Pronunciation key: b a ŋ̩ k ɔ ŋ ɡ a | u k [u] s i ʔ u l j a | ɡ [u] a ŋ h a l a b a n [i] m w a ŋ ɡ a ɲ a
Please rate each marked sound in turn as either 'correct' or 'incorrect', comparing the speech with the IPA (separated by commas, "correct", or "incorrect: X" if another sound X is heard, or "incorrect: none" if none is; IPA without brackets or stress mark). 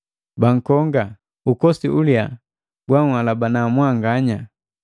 incorrect: ɔ, incorrect: w, incorrect: a